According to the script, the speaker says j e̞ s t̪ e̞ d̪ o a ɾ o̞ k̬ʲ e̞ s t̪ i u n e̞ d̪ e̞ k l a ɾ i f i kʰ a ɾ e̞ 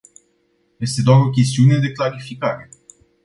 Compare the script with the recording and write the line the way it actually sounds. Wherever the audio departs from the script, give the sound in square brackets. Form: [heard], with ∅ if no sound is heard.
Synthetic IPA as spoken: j e̞ s t̪ e̞ d̪ o a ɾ o̞ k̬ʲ e̞ s t̪ i u n e̞ d̪ e̞ k l a ɾ i f i [k] a ɾ e̞

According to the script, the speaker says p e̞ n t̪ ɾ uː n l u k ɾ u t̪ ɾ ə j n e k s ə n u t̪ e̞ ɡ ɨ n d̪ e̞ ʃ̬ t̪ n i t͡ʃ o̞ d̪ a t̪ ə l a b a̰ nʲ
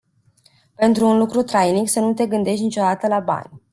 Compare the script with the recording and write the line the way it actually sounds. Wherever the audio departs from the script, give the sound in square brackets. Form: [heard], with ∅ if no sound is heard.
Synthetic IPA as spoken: p e̞ n t̪ ɾ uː n l u k ɾ u t̪ ɾ [a] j n [i] k s ə n u t̪ e̞ ɡ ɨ n d̪ e̞ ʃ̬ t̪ n i t͡ʃ o̞ d̪ a t̪ ə l a b a̰ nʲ

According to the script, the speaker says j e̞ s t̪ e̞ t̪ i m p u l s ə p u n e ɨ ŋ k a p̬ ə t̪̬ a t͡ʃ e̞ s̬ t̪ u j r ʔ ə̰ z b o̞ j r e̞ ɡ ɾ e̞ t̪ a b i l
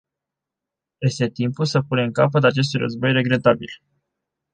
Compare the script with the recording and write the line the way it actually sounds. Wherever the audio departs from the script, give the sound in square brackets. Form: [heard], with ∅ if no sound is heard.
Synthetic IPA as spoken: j e̞ s t̪ e̞ t̪ i m p u l s ə p u n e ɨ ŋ k a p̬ ə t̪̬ a t͡ʃ e̞ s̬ t̪ u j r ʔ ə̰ z b o̞ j r e̞ ɡ ɾ e̞ t̪ a b i l

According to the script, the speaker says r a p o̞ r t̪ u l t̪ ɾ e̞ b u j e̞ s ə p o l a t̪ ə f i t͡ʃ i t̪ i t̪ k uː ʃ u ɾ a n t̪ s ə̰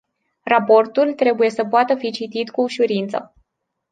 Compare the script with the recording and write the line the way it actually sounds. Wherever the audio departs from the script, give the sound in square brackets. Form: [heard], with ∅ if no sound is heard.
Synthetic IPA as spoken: r a p o̞ r t̪ u l t̪ ɾ e̞ b u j e̞ s ə p o [∅] a t̪ ə f i t͡ʃ i t̪ i t̪ k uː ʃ u ɾ [i] n t̪ s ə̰

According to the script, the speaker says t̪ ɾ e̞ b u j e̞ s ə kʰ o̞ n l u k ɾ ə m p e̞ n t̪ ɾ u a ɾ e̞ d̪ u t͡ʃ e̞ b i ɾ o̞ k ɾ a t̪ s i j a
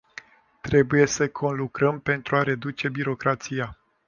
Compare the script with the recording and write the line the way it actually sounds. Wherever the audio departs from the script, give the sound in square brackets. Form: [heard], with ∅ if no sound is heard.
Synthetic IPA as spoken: t̪ ɾ e̞ b u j e̞ s ə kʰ o̞ n l u k ɾ ə m p e̞ n t̪ ɾ u a ɾ e̞ d̪ u t͡ʃ e̞ b i ɾ o̞ k ɾ a t̪ s i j a

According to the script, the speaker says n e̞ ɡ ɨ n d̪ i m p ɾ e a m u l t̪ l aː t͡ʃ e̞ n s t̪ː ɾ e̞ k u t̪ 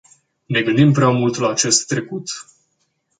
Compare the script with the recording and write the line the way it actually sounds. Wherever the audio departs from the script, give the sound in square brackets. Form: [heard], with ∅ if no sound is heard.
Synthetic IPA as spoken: n e̞ ɡ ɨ n d̪ i m p ɾ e a m u l t̪ l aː t͡ʃ e̞ [∅] s t̪ː ɾ e̞ k u t̪

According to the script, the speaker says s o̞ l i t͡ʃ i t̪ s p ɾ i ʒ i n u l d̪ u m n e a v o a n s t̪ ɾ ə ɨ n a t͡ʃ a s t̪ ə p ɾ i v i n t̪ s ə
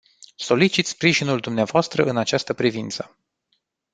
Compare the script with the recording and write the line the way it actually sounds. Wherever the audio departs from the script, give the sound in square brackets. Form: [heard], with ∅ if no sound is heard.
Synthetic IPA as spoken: s o̞ l i t͡ʃ i t̪ s p ɾ i ʒ i n u l d̪ u m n e a v o a [∅] s t̪ ɾ ə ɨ n a t͡ʃ a s t̪ ə p ɾ i v i n t̪ s ə

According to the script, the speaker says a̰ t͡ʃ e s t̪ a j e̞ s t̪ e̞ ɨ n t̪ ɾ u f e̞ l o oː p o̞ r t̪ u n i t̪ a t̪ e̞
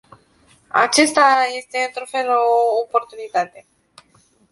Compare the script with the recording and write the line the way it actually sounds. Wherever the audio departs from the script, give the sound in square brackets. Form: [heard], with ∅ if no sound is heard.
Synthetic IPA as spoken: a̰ t͡ʃ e s t̪ a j e̞ s t̪ e̞ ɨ n t̪ ɾ u f e̞ l o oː p o̞ r t̪ u n i t̪ a t̪ e̞

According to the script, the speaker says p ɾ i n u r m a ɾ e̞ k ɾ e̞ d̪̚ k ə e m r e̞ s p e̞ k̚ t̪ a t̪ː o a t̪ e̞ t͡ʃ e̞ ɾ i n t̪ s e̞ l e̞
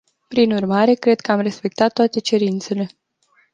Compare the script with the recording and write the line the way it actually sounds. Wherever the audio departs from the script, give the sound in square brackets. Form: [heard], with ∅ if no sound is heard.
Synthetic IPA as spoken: p ɾ i n u r m a ɾ e̞ k ɾ e̞ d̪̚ k ə [a] m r e̞ s p e̞ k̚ t̪ a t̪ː o a t̪ e̞ t͡ʃ e̞ ɾ i n t̪ s e̞ l e̞

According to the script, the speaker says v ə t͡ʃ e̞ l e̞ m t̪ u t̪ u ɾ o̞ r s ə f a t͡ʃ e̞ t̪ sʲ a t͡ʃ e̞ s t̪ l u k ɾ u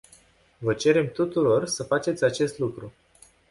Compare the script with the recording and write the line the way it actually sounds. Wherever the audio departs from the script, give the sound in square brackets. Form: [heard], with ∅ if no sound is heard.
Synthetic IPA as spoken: v ə t͡ʃ e̞ [ɾ] e̞ m t̪ u t̪ u ɾ o̞ r s ə f a t͡ʃ e̞ t̪ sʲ a t͡ʃ e̞ s t̪ l u k ɾ u

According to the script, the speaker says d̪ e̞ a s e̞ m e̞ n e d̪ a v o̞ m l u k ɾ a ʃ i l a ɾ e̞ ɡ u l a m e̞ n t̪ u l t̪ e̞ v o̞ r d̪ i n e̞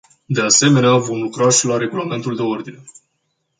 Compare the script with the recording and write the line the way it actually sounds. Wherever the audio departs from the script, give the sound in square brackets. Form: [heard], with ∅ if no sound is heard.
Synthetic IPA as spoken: d̪ e̞ a s e̞ m e̞ n e [∅] a v o̞ m l u k ɾ a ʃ i l a ɾ e̞ ɡ u l a m e̞ n t̪ u l [d̪] e̞ [∅] o̞ r d̪ i n e̞

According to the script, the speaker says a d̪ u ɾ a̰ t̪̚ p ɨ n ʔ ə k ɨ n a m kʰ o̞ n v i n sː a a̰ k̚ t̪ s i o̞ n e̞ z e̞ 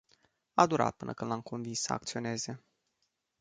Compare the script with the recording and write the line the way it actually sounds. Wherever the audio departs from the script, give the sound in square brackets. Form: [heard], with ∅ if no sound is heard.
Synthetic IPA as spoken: a d̪ u ɾ a̰ t̪̚ p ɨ n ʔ ə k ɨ n a m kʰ o̞ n v i n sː [ə] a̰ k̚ t̪ s i o̞ n e̞ z e̞

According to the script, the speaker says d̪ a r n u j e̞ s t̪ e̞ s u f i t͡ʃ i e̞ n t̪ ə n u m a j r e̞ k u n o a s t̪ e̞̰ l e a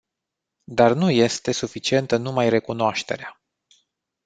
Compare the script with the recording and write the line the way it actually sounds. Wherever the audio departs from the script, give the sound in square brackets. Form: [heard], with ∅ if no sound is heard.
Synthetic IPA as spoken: d̪ a r n u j e̞ s t̪ e̞ s u f i t͡ʃ i e̞ n t̪ ə n u m a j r e̞ k u n o a [ʃ] t̪ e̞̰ [ɾ] e a

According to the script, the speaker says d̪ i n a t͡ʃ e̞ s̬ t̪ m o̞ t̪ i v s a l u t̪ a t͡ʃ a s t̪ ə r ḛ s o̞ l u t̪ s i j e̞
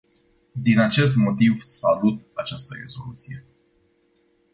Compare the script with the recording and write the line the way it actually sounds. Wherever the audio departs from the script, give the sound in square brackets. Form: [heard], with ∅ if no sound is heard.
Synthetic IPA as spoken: d̪ i n a t͡ʃ e̞ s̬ t̪ m o̞ t̪ i v s a l u t̪ a t͡ʃ a s t̪ ə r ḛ [z] o̞ l u t̪ s i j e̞

